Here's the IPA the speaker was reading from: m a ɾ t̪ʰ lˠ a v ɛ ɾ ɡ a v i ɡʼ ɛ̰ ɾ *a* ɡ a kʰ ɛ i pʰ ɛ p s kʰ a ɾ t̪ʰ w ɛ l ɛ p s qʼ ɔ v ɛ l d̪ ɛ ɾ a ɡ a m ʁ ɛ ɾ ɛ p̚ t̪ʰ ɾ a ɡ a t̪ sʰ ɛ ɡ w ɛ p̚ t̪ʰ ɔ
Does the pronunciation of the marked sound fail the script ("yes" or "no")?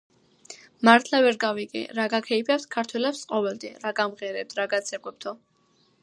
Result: no